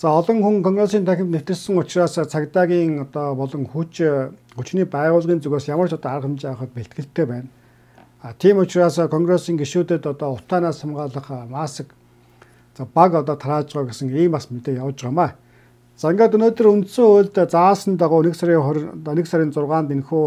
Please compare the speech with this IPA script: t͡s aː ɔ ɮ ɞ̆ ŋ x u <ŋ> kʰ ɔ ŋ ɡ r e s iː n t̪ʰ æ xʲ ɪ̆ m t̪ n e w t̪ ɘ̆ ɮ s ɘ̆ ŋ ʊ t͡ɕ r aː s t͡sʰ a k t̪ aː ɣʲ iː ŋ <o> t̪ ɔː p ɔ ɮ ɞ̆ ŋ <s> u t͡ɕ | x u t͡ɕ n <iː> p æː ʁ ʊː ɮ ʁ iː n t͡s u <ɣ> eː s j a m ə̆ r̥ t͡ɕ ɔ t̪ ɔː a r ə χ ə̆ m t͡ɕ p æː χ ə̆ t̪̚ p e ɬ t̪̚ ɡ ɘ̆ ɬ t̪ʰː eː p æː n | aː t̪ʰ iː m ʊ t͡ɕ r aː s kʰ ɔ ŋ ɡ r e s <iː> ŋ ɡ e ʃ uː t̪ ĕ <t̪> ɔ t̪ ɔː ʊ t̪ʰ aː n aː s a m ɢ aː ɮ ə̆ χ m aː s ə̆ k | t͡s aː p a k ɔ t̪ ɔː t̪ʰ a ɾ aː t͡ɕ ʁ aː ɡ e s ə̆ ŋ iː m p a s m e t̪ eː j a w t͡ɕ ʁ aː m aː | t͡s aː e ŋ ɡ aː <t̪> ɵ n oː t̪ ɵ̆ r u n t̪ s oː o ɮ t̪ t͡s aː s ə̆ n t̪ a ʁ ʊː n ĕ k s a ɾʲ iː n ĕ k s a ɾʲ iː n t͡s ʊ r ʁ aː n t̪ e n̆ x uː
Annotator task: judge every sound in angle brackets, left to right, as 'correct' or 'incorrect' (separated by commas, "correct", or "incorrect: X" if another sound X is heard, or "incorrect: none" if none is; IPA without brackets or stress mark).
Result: correct, incorrect: ɔ, incorrect: x, correct, correct, correct, correct, correct